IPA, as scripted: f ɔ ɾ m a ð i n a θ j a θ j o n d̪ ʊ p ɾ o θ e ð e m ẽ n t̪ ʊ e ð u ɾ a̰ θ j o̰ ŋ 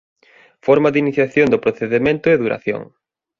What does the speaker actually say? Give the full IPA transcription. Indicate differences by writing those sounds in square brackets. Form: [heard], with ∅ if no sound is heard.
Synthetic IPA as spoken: f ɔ ɾ m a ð i n [i] θ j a θ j o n d̪ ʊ p ɾ o θ e ð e m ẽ n t̪ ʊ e ð u ɾ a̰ θ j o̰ ŋ